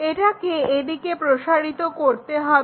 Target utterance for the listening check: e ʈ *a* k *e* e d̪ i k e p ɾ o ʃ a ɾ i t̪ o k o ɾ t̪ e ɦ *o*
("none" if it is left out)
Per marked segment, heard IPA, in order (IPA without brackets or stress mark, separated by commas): a, e, ɔ